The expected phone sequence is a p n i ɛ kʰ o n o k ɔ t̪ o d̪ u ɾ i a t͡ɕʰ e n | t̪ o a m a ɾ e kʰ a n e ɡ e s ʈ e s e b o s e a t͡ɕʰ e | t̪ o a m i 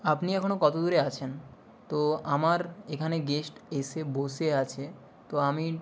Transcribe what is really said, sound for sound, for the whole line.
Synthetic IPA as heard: a p n i ɛ kʰ o n o k ɔ t̪ o d̪ u ɾ e a t͡ɕʰ e n | t̪ o a m a ɾ e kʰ a n e ɡ e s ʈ e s e b o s e a t͡ɕʰ e | t̪ o a m i